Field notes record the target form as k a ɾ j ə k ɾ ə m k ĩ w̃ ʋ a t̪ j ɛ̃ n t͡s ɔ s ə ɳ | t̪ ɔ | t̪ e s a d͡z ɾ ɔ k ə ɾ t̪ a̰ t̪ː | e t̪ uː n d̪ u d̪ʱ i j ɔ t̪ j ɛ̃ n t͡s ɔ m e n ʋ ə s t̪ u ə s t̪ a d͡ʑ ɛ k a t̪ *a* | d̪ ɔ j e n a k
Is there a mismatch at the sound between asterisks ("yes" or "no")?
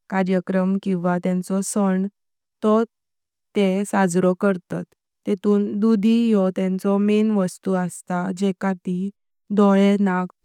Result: yes